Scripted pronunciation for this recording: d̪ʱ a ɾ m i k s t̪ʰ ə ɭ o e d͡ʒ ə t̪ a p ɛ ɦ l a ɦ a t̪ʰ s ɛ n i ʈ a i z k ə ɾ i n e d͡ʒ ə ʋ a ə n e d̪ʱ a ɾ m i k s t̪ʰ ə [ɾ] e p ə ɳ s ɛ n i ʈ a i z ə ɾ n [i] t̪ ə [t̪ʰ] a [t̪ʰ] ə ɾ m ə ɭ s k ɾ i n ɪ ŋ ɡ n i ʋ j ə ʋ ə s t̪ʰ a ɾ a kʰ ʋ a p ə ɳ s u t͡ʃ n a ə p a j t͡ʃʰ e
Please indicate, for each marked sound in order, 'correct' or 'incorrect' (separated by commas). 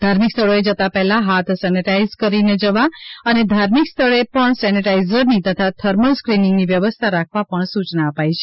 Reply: incorrect, correct, correct, correct